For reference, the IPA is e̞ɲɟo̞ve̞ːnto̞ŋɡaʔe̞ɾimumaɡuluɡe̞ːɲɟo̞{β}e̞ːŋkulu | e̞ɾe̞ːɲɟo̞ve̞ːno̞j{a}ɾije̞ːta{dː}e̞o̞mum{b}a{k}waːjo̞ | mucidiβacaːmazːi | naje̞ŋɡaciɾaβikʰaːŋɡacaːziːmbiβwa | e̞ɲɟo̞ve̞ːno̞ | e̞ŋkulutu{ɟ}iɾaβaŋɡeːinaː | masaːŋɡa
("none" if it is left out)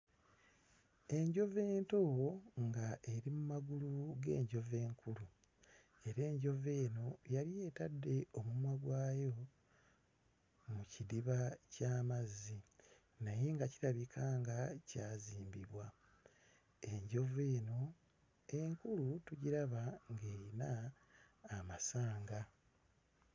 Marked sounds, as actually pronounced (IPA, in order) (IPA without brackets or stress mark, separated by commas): v, a, dː, w, ɡ, ɟ